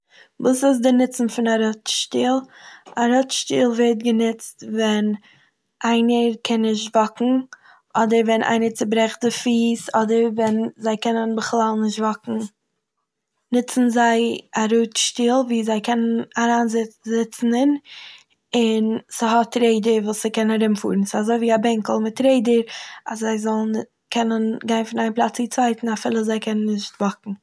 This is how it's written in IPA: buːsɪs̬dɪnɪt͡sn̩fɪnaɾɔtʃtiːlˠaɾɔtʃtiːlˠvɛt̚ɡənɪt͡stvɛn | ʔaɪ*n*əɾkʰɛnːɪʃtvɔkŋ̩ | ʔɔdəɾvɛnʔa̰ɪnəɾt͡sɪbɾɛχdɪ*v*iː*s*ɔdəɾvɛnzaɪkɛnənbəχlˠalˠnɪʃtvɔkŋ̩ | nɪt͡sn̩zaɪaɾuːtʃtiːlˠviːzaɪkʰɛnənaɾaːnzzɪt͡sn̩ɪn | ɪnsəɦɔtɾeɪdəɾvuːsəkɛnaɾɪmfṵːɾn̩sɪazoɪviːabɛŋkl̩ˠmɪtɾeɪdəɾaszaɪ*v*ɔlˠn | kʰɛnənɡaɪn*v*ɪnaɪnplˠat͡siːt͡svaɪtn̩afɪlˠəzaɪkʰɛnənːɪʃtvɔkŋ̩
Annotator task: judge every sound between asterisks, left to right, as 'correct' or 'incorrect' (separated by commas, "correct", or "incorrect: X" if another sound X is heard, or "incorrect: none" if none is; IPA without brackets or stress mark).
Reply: correct, incorrect: f, correct, incorrect: z, incorrect: f